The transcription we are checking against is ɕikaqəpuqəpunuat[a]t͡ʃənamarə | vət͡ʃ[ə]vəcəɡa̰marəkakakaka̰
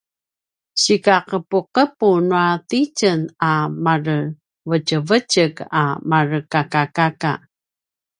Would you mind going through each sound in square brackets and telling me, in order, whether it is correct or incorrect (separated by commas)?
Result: incorrect, correct